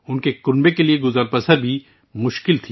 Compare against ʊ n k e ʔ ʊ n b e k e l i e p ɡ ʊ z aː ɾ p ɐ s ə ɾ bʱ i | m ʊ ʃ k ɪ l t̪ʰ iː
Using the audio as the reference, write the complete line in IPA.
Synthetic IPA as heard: ʊ n k e k ʊ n b e k e l i e ɡ ʊ z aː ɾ p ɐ s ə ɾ bʱ i | m ʊ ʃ k ɪ l t̪ʰ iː

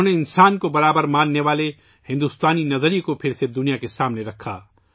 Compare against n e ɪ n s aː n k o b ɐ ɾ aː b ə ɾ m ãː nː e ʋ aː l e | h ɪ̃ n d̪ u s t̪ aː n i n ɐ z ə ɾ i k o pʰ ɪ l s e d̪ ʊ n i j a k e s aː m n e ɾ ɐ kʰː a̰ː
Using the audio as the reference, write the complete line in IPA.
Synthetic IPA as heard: n e ɪ n s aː n k o b ɐ ɾ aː b ə ɾ m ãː nː e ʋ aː l e | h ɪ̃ n d̪ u s t̪ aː n i n ɐ z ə ɾ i k o pʰ ɪ ɾ s e d̪ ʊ n i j a k e s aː m n e ɾ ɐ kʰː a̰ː

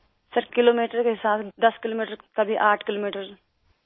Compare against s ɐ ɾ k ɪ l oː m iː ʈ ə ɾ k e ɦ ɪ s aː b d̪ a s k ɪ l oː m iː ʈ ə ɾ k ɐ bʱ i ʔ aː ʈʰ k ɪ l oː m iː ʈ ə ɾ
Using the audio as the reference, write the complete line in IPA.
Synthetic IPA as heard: s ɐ ɾ k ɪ l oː m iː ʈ ə ɾ k e ɦ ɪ s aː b d̪ ɐ s k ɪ l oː m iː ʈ ə ɾ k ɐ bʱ i ʔ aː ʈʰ k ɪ l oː m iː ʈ ə ɾ

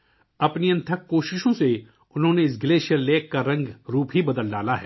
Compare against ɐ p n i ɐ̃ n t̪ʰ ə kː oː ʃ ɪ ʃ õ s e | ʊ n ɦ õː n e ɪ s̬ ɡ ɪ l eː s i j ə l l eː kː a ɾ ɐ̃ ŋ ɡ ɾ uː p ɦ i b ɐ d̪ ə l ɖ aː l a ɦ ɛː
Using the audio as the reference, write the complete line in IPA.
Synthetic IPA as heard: ɐ p n i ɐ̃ n t̪ʰ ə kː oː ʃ ɪ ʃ õ s e | ʊ n ɦ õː n e ɪ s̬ ɡ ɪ l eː ʃ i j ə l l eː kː a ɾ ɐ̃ ŋ ɡ ɾ uː p ɦ i b ɐ d̪ ə l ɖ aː l a ɦ ɛː

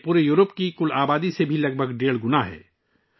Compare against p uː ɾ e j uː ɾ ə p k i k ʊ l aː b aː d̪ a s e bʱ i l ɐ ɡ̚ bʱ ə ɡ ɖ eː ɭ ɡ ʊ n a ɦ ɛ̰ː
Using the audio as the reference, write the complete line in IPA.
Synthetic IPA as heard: p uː ɾ e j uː ɾ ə p k i k ʊ l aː b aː d̪ i s e bʱ i l ɐ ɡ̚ bʱ ə ɡ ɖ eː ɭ ɡ ʊ n a ɦ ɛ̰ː

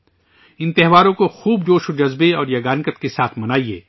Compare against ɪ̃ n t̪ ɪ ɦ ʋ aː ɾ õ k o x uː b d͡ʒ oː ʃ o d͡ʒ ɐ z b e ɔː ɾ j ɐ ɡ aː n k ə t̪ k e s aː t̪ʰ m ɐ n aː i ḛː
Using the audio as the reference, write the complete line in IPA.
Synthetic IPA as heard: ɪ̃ n t̪ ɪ ɦ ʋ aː ɾ õ k o x uː b d͡ʒ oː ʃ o d͡ʒ ɐ z b e ɔː ɾ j ɐ ɡ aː n k ə t̪ k e s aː t̪ʰ m ɐ n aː i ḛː

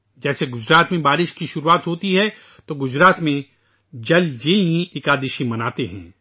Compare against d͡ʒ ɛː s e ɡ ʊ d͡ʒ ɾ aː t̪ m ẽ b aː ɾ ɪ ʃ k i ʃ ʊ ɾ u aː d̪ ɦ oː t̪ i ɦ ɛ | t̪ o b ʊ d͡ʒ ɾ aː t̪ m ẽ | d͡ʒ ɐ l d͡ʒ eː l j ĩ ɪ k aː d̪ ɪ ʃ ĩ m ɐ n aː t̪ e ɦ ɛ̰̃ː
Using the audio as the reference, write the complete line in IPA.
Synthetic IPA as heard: d͡ʒ ɛː s e ɡ ʊ d͡ʒ ɾ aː t̪ m ẽ b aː ɾ ɪ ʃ k i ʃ ʊ ɾ u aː t̪ ɦ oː t̪ i ɦ ɛ | t̪ o ɡ ʊ d͡ʒ ɾ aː t̪ m ẽ | d͡ʒ ɐ l d͡ʒ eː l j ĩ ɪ k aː d̪ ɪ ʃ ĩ m ɐ n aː t̪ e ɦ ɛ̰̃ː

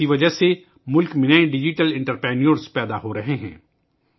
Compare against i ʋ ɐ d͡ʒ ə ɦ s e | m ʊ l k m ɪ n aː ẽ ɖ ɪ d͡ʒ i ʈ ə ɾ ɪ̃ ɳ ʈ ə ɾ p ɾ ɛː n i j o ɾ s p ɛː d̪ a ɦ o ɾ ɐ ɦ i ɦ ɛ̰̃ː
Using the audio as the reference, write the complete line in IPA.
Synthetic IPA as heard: i ʋ ɐ d͡ʒ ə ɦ s e | m ʊ l k m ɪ n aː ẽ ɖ ɪ d͡ʒ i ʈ ə l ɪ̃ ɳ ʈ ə ɾ p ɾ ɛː n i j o ɾ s p ɛː d̪ a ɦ o ɾ ɐ ɦ e ɦ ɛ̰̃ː

